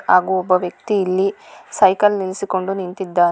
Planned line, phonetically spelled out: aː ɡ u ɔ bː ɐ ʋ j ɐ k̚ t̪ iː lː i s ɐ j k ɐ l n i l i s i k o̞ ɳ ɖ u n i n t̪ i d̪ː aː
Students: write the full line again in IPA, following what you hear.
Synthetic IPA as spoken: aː ɡ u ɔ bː ɐ ʋ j ɐ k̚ t̪ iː lː i s ɐ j k ɐ l n i l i s i k o̞ ɳ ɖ u n i n t̪ i d̪ː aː